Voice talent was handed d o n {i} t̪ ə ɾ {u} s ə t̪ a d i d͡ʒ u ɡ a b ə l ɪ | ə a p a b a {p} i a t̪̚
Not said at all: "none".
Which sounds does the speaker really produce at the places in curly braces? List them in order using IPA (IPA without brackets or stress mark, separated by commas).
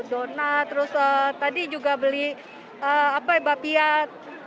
a, ʊ, p